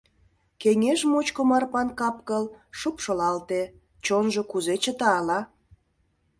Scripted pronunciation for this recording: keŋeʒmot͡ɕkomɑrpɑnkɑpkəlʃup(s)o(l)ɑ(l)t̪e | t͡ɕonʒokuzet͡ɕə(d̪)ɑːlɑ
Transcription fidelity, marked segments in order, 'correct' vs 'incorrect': incorrect, correct, correct, incorrect

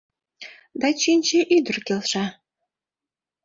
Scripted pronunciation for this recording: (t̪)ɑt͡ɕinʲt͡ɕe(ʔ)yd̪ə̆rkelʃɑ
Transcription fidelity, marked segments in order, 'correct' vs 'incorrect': incorrect, correct

